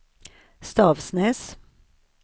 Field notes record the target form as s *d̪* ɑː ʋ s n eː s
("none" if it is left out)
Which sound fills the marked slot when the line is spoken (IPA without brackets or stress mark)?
t̪